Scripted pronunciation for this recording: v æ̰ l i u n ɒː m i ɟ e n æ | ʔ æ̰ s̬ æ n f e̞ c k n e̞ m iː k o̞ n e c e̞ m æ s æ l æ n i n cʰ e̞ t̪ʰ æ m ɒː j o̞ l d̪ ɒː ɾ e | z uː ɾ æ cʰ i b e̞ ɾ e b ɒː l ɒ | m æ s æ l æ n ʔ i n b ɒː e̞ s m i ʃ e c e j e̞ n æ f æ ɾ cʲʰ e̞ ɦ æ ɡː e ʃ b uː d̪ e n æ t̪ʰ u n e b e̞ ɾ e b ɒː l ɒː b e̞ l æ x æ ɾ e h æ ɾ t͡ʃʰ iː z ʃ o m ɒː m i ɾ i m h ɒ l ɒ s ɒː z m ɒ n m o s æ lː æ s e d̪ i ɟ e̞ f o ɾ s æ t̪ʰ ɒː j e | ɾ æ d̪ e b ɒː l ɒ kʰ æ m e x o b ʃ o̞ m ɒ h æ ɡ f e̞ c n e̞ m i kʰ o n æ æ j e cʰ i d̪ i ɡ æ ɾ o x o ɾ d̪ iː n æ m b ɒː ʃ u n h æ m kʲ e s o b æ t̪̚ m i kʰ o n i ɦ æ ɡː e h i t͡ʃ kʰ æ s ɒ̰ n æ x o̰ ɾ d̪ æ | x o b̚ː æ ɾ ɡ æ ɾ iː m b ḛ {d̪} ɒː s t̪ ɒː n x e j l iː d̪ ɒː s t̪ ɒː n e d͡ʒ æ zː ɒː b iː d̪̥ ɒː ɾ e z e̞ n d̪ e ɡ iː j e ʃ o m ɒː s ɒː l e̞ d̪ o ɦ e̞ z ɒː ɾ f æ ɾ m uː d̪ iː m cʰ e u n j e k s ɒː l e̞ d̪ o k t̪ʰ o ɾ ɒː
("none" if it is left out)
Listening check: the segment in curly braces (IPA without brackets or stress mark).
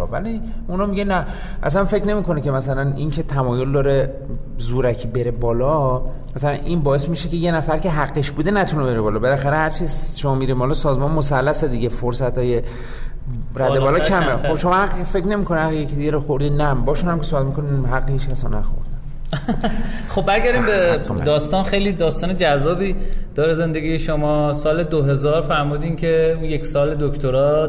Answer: d̪